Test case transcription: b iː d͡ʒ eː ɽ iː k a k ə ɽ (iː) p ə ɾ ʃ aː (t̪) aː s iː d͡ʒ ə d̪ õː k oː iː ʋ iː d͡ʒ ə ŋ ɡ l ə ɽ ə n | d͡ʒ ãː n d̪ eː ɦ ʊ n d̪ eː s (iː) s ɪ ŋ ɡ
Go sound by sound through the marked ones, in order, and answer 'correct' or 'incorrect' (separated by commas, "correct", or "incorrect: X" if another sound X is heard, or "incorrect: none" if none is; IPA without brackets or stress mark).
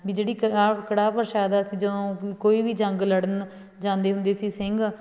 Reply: incorrect: aː, incorrect: d̪, correct